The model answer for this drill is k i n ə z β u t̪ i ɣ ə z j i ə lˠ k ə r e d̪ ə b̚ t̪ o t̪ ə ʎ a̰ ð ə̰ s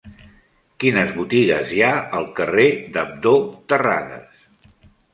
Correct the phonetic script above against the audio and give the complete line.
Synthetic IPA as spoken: k i n ə z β u t̪ i ɣ ə z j a ə lˠ k ə r e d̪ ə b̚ d̪ o t̪ ə r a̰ ð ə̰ s